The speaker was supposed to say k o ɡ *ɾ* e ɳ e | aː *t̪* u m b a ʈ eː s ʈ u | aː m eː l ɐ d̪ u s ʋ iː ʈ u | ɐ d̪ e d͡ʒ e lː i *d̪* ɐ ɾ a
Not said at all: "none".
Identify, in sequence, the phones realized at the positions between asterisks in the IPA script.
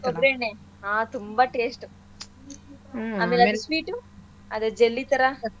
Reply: ɾ, t̪, t̪

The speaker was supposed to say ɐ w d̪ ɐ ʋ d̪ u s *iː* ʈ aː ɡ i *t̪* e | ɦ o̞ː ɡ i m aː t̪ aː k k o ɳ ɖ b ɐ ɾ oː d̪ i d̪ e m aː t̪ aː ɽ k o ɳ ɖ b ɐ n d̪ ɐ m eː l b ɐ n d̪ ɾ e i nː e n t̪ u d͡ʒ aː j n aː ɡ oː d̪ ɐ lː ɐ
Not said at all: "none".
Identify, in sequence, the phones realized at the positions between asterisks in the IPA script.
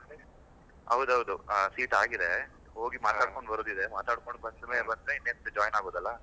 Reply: iː, d̪

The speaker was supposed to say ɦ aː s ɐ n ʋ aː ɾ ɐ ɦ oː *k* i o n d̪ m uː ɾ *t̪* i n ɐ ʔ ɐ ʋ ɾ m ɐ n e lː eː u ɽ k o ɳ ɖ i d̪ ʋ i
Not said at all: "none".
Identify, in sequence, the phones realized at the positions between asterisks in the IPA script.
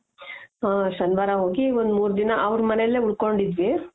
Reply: ɡ, d̪

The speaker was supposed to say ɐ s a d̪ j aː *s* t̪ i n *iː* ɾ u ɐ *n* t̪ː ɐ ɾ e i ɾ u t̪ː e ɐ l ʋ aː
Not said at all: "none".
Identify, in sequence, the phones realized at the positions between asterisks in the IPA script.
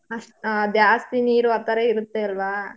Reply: s, iː, none

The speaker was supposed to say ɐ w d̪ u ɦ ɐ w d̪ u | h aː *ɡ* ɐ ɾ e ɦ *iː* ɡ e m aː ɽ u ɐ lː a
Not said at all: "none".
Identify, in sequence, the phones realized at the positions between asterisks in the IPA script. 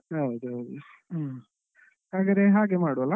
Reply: ɡ, aː

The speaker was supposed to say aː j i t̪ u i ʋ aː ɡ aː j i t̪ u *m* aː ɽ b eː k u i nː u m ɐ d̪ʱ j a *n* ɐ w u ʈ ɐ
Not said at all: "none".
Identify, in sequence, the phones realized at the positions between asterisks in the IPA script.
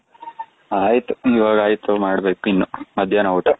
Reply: m, n

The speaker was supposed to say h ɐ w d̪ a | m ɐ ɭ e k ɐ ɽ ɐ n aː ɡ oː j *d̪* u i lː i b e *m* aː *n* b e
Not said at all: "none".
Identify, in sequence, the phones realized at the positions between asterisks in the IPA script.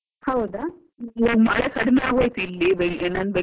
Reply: t̪, n, n

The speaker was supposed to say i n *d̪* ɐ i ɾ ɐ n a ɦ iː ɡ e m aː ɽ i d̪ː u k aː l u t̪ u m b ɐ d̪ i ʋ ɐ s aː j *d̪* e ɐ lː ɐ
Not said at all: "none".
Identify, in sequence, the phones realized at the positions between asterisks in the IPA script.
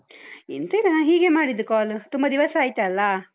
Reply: t̪, t̪

